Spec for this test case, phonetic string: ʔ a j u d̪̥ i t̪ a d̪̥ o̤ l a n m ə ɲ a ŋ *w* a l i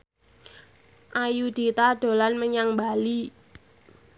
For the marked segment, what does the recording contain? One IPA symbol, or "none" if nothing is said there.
b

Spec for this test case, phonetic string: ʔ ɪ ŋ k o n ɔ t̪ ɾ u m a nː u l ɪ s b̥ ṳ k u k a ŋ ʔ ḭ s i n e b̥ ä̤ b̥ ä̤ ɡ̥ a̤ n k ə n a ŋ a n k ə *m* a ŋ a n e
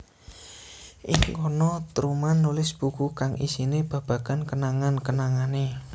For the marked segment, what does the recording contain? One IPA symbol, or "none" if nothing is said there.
n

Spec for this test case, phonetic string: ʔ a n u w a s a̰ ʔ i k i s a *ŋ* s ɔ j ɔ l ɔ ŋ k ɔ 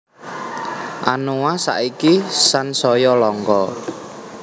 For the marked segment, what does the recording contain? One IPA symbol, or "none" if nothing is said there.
n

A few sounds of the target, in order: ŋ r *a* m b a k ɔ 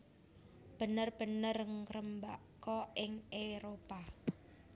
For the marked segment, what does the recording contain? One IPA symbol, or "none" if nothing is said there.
ə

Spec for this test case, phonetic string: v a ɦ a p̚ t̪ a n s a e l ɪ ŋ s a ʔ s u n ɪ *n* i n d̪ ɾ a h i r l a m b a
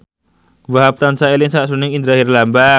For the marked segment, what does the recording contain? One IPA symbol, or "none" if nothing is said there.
ŋ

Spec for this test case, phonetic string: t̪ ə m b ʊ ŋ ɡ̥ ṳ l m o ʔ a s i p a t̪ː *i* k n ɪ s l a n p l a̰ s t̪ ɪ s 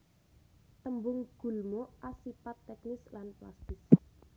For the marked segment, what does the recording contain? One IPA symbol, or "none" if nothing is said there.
ɛ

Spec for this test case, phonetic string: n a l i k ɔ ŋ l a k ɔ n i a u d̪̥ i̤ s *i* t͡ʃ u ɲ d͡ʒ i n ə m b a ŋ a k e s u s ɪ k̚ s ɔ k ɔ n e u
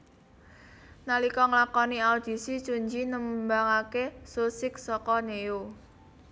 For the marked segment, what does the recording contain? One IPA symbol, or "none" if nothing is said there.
i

